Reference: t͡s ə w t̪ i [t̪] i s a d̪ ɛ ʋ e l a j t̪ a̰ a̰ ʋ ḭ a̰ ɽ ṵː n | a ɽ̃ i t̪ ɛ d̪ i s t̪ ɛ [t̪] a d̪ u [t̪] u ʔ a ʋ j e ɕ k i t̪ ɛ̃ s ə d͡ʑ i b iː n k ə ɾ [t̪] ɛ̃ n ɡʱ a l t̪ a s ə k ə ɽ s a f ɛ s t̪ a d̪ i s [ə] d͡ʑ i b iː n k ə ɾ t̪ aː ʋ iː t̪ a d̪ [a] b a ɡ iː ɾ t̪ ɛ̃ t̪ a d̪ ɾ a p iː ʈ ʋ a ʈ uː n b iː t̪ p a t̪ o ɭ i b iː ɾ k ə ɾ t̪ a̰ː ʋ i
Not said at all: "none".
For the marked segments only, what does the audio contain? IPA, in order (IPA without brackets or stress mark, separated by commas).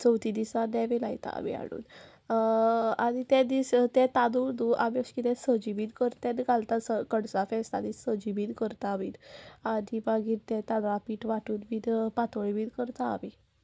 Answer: d̪, t̪, d̪, t̪, ə, i